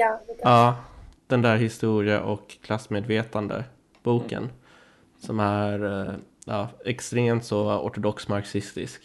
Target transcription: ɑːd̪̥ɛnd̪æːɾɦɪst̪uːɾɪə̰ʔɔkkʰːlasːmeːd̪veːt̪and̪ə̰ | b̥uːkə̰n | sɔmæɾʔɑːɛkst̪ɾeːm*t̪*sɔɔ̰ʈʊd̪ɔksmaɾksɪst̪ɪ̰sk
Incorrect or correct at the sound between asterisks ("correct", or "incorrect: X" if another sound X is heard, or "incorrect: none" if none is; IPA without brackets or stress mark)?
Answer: correct